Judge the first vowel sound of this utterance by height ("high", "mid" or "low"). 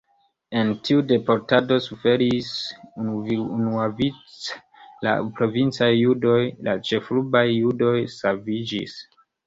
mid